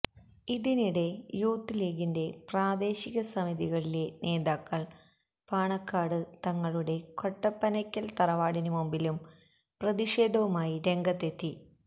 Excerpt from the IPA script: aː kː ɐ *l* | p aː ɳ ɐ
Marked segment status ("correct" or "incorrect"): incorrect